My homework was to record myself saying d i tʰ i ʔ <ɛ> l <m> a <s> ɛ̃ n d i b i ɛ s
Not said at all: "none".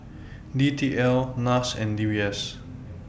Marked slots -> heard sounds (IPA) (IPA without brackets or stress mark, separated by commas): ɛ, n, s